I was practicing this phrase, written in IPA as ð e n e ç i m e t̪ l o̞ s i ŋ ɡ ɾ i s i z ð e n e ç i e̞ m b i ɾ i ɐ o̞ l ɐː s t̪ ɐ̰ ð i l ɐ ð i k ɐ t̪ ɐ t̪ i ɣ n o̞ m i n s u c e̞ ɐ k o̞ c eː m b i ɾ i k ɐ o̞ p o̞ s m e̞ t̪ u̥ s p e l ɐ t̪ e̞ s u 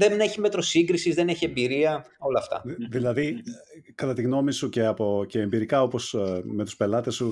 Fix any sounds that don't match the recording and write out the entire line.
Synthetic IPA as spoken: ð e n e ç i m e t̪ ɾ o̞ s i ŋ ɡ ɾ i s i z ð e n e ç i e̞ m b i ɾ i ɐ o̞ l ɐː f t̪ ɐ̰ ð i l ɐ ð i k ɐ t̪ ɐ t̪ i ɣ n o̞ m i s u c e̞ ɐ p o̞ c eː m b i ɾ i k ɐ o̞ p o̞ s m e̞ t̪ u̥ s p e l ɐ t̪ e̞ s u